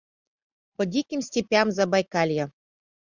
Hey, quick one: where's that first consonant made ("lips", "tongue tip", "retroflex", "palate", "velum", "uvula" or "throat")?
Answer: lips